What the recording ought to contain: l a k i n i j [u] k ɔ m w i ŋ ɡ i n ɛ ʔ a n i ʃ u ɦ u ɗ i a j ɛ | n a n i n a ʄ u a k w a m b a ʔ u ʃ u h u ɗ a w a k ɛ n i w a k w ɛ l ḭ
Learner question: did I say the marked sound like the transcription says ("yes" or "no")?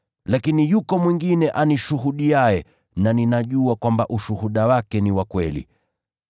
yes